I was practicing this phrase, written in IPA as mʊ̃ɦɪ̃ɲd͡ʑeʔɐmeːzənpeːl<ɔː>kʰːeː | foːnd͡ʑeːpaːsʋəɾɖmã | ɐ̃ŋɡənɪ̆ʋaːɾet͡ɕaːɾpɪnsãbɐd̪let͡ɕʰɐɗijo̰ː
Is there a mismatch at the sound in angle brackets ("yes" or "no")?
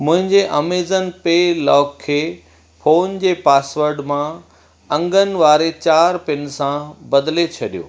no